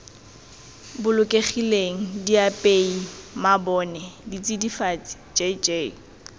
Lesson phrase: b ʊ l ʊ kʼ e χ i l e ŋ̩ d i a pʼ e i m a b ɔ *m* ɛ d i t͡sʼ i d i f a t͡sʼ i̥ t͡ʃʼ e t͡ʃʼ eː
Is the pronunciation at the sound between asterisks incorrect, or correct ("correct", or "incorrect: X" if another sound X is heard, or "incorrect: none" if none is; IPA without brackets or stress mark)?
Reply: incorrect: n